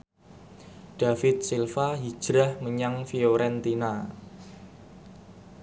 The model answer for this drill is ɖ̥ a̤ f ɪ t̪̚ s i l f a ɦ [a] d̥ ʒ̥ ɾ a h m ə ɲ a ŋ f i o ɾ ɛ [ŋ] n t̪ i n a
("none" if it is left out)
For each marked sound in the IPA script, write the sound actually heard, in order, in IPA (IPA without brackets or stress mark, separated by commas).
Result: i, none